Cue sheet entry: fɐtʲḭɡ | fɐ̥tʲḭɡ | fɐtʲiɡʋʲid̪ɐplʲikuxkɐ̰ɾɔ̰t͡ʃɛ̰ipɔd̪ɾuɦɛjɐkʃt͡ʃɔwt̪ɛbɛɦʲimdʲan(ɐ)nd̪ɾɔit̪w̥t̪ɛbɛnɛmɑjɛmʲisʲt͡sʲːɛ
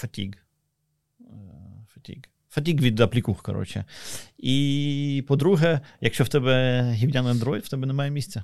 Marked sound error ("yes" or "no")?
no